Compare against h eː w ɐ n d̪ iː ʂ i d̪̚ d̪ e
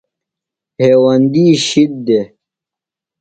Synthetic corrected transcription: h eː w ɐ n d̪ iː ɕ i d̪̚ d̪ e